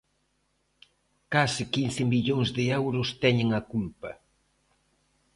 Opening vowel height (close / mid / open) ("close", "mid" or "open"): open